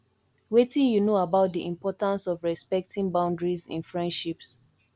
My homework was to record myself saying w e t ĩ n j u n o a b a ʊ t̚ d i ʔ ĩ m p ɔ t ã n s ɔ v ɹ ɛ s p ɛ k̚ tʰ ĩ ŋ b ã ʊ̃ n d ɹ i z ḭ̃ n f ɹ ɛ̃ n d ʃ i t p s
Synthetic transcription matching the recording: w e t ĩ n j u n o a b a ʊ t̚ d i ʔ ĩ m p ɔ t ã n s ɔ v ɹ ɛ s p ɛ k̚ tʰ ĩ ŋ b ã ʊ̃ n d ɹ i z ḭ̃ n f ɹ ɛ̃ n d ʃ i p s